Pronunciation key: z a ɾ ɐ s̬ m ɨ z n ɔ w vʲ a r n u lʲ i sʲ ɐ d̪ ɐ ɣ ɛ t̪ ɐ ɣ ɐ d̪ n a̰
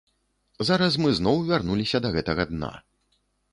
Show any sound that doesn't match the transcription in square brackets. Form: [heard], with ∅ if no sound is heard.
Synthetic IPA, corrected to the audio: z a ɾ ɐ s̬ m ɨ z n ɔ w vʲ a r n u lʲ i sʲ ɐ d̪ ɐ ɣ ɛ t̪ ɐ ɣ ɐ d̪ n a̰